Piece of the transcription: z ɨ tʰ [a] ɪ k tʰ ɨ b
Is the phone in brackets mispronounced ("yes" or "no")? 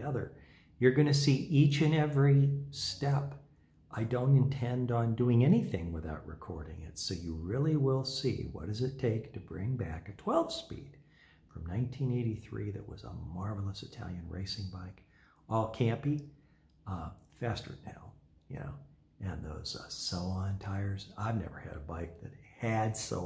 yes